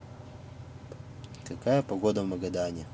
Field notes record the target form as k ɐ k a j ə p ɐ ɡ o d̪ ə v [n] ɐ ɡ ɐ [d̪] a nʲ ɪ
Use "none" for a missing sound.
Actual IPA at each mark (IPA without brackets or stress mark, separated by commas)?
m, d̪